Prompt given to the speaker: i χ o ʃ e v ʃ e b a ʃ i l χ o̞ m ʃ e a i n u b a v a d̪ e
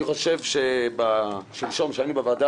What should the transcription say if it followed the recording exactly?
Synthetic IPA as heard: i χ o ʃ e v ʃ e b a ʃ i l ʃ o̞ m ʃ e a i n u b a v a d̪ a